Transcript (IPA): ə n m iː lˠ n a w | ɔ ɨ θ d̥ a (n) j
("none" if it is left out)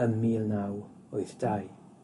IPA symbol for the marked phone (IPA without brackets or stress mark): none